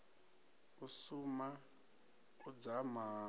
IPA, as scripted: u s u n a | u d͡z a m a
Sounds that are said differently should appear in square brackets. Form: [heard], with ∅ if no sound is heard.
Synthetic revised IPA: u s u [m] a | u d͡z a m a